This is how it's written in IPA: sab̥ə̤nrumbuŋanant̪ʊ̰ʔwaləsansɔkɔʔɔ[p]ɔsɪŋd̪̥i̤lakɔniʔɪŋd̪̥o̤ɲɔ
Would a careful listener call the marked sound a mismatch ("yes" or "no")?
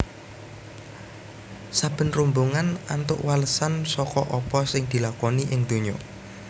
no